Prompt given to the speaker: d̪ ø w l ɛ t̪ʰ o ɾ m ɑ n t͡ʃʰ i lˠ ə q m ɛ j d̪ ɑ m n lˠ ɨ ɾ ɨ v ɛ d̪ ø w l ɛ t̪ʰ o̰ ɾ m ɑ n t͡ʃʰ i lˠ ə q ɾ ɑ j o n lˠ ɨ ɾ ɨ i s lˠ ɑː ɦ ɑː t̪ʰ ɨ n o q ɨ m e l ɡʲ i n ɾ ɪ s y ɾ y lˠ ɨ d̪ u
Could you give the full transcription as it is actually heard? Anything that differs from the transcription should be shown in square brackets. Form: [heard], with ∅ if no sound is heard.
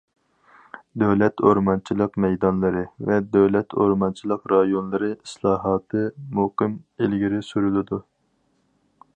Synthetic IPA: d̪ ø w l ɛ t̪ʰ o ɾ m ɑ n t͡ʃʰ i lˠ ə q m ɛ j d̪ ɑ [∅] n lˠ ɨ ɾ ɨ v ɛ d̪ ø w l ɛ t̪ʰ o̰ ɾ m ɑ n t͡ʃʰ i lˠ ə q ɾ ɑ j o n lˠ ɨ ɾ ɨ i s lˠ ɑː ɦ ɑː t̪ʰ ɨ [m] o q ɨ m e l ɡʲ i [∅] ɾ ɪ s y ɾ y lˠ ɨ d̪ u